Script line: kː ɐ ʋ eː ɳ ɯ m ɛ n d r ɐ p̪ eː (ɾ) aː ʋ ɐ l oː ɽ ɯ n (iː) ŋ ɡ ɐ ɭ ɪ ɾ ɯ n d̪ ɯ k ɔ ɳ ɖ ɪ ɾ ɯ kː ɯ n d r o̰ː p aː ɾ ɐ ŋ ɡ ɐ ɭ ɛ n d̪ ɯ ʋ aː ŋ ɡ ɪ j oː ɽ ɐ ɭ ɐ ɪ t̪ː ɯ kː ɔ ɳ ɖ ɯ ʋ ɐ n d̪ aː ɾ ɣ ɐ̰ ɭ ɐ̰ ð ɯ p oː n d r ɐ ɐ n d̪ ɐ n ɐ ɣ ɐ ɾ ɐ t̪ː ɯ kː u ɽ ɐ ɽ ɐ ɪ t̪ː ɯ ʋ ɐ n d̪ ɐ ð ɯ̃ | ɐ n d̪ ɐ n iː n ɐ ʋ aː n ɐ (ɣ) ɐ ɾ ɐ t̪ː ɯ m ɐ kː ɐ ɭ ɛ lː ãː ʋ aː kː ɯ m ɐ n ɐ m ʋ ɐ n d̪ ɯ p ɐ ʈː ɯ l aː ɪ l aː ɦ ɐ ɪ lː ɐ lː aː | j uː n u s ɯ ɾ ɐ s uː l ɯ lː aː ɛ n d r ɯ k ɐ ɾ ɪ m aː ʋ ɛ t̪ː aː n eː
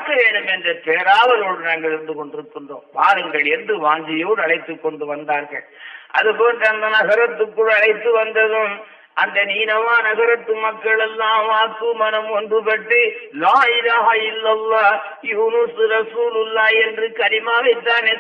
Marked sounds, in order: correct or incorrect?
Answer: correct, incorrect, correct

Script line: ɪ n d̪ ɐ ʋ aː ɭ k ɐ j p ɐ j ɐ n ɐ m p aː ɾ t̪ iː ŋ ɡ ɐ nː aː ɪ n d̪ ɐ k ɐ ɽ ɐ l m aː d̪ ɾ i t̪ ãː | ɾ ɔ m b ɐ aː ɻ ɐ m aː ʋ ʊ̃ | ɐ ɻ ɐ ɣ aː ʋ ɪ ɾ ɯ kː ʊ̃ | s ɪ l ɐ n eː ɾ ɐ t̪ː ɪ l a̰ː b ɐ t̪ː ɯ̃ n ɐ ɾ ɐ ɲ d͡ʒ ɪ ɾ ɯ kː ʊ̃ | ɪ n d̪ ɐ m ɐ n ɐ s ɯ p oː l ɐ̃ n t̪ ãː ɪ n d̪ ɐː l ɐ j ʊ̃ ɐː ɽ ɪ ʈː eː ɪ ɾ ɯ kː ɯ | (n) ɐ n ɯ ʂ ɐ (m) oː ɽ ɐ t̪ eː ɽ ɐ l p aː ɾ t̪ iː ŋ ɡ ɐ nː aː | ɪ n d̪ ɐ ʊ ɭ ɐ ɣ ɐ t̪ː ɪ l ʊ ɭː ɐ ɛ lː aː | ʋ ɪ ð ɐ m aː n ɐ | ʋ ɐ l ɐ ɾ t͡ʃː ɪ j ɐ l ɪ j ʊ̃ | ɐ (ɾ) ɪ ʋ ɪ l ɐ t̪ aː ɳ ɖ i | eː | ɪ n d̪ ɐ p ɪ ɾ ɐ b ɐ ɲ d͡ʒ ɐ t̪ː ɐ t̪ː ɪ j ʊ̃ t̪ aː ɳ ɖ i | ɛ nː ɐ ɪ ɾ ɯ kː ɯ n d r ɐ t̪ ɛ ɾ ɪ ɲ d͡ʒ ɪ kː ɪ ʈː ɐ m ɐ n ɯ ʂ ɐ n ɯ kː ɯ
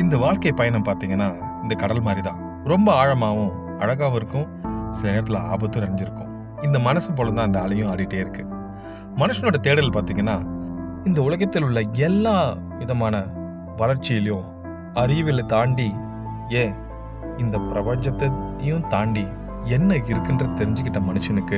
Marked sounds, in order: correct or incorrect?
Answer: incorrect, incorrect, correct

